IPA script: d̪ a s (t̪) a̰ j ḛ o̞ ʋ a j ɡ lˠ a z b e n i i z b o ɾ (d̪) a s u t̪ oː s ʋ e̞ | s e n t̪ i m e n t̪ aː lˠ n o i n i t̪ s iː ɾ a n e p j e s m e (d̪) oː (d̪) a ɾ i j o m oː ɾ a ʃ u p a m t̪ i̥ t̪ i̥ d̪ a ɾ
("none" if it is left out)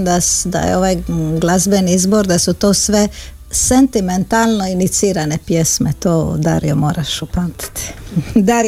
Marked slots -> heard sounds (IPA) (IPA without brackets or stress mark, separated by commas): d̪, d̪, t̪, d̪